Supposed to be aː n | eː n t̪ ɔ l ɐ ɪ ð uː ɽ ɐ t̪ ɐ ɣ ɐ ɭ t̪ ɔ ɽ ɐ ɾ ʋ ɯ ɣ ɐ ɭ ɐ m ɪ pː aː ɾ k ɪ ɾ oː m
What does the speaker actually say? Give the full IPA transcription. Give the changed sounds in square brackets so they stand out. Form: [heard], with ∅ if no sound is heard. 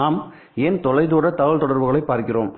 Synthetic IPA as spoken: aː [m] | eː n t̪ ɔ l ɐ ɪ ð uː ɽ ɐ t̪ ɐ ɣ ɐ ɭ t̪ ɔ ɽ ɐ ɾ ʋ ɯ ɣ ɐ ɭ ɐ [∅] ɪ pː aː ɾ k ɪ [r] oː m